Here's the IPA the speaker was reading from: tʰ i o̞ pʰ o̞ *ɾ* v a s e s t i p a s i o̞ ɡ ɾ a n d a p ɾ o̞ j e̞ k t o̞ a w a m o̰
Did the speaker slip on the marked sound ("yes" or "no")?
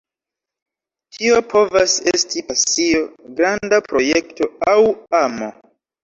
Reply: yes